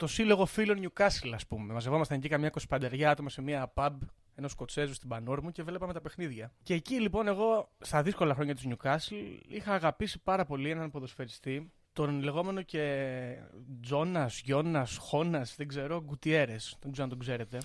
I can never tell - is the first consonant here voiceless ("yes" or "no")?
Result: yes